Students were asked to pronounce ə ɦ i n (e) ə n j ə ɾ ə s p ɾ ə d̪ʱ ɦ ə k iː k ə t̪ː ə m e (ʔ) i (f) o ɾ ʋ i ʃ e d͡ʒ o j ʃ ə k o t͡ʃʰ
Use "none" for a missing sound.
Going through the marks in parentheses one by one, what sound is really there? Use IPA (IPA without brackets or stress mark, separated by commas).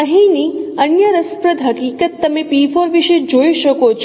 i, p, f